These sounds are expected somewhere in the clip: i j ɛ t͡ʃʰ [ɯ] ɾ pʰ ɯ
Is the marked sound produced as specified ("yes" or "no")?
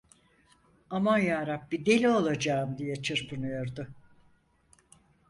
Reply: yes